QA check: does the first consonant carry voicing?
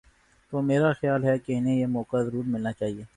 no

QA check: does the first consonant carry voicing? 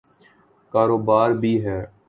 no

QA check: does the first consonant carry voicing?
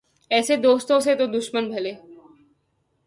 no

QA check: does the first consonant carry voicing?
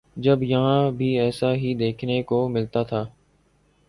yes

